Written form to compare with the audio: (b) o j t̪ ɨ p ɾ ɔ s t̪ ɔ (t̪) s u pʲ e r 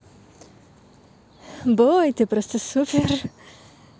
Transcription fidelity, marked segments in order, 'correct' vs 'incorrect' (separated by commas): correct, incorrect